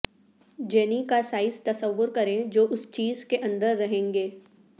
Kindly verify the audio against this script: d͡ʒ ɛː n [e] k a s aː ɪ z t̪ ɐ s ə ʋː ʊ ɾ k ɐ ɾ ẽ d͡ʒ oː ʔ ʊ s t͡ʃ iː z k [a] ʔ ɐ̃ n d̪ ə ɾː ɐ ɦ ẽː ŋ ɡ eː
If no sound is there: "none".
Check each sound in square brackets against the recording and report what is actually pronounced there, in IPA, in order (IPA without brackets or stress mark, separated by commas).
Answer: i, e